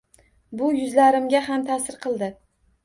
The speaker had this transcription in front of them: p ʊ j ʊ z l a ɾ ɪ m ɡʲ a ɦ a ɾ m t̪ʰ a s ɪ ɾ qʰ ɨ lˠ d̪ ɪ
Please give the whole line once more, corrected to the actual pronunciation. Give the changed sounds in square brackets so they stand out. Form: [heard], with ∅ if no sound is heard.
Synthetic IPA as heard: [b] ʊ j ʊ z l a ɾ ɪ m ɡʲ a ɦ a [∅] m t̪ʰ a s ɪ ɾ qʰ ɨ lˠ d̪ ɪ